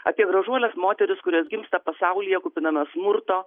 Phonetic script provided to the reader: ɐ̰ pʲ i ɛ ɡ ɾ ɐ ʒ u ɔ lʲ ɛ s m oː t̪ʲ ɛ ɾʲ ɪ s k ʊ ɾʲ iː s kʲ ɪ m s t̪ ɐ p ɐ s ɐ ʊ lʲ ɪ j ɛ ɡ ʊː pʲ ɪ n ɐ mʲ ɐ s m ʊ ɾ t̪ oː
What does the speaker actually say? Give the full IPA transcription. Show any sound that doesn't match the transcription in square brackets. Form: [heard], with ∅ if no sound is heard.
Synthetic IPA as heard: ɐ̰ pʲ i ɛ ɡ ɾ ɐ ʒ u ɔ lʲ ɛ s m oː t̪ʲ ɛ ɾʲ ɪ s k ʊ ɾʲ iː s [ɡʲ] ɪ m s t̪ ɐ p ɐ s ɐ ʊ lʲ ɪ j ɛ [k] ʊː pʲ ɪ n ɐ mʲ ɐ s m ʊ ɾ t̪ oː